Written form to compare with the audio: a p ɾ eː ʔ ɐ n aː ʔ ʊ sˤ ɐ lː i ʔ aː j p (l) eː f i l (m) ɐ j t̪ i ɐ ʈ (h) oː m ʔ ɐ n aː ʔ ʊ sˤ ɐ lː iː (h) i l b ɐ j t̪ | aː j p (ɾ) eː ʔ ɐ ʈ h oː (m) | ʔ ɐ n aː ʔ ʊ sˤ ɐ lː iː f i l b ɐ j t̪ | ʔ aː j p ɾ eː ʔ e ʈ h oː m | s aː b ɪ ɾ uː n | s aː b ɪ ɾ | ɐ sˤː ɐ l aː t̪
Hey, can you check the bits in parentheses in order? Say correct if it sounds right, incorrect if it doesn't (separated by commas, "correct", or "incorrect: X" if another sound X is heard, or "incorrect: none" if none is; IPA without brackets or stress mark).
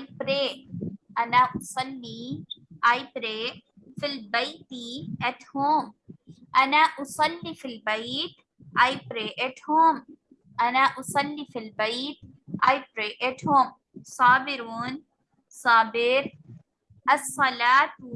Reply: incorrect: ɾ, incorrect: b, correct, incorrect: f, correct, correct